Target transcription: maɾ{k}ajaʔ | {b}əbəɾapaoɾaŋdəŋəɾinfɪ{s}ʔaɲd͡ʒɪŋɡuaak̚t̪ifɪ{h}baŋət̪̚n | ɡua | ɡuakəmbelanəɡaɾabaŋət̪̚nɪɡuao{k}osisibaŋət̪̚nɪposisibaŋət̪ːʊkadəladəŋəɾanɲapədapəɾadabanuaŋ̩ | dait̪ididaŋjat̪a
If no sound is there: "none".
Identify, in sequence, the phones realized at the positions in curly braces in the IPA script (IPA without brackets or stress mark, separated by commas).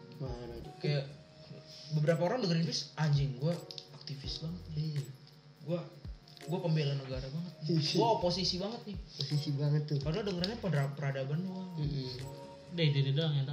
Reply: k, b, s, s, p